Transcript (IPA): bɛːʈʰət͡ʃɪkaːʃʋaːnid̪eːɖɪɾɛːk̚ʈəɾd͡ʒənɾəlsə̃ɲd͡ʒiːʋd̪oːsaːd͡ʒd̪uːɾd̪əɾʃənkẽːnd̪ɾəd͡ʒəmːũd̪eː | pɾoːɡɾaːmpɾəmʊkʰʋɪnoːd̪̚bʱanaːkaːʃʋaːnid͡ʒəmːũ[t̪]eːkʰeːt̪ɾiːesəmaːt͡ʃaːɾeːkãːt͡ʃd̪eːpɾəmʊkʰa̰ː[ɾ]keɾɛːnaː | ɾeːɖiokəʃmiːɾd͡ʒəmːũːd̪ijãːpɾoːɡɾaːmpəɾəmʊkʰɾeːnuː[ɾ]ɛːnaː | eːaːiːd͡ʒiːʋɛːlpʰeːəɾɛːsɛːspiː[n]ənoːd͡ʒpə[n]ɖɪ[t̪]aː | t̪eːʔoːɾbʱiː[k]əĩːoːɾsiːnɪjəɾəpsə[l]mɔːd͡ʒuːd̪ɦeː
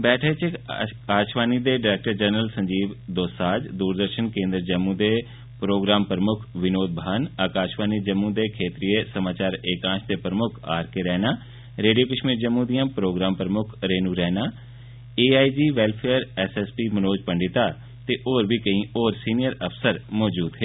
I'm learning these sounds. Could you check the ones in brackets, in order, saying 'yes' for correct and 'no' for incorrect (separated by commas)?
no, yes, yes, no, no, yes, yes, no